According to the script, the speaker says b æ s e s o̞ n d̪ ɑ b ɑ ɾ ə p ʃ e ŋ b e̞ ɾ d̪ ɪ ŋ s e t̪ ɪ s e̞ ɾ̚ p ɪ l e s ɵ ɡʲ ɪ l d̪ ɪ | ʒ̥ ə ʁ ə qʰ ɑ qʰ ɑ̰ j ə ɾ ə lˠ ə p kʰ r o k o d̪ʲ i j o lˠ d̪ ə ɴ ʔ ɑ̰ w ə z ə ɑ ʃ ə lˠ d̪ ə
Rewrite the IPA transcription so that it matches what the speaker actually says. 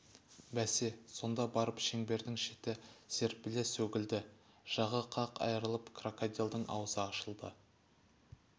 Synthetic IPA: b æ s e s o̞ n d̪ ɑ b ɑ ɾ ə p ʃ e ŋ b e̞ ɾ d̪ ɪ ŋ ʃ e t̪ ɪ s e̞ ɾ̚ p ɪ l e s ɵ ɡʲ ɪ l d̪ ɪ | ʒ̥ ɑ ʁ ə qʰ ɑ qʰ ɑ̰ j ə ɾ ə lˠ ə p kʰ r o k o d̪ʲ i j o lˠ d̪ ə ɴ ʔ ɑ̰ w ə z ə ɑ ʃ ə lˠ d̪ ə